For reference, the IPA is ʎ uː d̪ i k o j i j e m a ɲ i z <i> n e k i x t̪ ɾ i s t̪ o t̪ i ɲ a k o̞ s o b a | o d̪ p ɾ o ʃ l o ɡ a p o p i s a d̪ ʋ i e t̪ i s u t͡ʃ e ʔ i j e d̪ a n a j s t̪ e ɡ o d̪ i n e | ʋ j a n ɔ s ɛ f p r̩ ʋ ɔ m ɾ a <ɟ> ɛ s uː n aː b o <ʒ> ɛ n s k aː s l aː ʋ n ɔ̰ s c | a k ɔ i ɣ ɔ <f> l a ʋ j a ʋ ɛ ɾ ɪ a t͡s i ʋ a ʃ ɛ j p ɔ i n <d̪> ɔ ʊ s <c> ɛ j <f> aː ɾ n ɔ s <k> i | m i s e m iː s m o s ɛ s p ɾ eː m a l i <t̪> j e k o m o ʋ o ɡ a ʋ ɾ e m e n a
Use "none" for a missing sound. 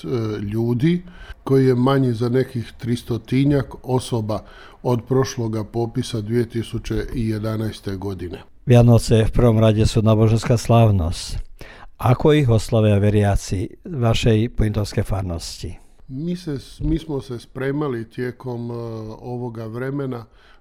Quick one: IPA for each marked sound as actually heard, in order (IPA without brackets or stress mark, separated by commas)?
a, ɟ, ʒ, s, t̪, k, f, c, t̪